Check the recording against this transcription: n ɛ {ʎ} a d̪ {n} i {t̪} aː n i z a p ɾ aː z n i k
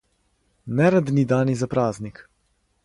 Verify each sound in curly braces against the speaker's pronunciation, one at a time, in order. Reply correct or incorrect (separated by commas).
incorrect, correct, incorrect